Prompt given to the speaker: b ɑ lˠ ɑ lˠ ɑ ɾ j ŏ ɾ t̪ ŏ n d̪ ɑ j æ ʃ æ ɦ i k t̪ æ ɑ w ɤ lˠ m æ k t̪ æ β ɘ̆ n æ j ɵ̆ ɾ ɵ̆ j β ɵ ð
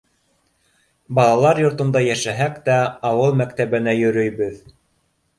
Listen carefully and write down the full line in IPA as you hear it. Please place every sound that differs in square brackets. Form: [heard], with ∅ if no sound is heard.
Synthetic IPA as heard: b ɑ lˠ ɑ lˠ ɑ ɾ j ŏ ɾ t̪ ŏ n d̪ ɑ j æ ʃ æ ɦ [æ] k t̪ æ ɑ w ɤ lˠ m æ k t̪ æ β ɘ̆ n æ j ɵ̆ ɾ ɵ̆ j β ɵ ð